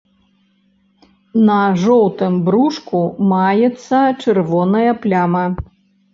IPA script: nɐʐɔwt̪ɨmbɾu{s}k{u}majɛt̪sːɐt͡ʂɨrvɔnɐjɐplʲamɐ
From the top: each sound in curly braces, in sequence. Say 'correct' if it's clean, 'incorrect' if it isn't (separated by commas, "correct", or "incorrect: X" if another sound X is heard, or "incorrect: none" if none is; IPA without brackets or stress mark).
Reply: incorrect: ʂ, correct